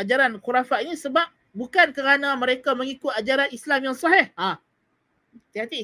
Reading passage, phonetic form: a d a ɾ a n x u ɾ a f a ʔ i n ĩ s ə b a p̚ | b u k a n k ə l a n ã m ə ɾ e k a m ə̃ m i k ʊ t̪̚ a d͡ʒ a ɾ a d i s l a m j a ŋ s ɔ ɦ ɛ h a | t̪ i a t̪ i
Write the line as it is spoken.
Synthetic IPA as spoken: a d͡ʒ a ɾ a n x u ɾ a f a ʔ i n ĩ s ə b a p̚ | b u k a n k ə ɾ a n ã m ə ɾ e k a m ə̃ ŋ i k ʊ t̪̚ a d͡ʒ a ɾ a n i s l a m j a ŋ s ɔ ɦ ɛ h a | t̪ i a t̪ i